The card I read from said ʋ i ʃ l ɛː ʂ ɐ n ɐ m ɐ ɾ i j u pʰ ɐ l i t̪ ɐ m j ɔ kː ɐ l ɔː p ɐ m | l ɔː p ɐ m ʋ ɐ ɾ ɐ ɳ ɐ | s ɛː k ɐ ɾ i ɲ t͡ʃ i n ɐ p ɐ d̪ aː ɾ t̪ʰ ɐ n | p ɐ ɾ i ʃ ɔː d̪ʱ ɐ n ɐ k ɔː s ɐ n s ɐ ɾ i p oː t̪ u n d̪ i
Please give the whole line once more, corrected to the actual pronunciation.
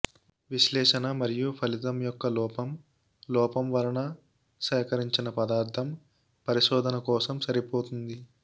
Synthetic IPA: ʋ i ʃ l ɛː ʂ ɐ n ɐ m ɐ ɾ i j u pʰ ɐ l i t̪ ɐ m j ɔ kː ɐ l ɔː p ɐ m | l ɔː p ɐ m ʋ ɐ ɾ ɐ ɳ ɐ | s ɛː k ɐ ɾ i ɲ t͡ʃ i n ɐ p ɐ d̪ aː ɾ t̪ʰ ɐ m | p ɐ ɾ i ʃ ɔː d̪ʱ ɐ n ɐ k ɔː s ɐ m s ɐ ɾ i p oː t̪ u n d̪ i